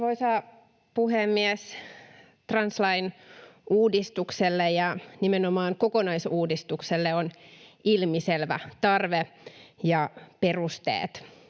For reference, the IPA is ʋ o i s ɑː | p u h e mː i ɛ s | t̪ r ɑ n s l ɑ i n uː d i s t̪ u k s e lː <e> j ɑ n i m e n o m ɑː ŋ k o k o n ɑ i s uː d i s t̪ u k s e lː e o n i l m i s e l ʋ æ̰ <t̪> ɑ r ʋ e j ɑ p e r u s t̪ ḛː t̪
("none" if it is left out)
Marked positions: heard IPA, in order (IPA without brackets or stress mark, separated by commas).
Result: e, t̪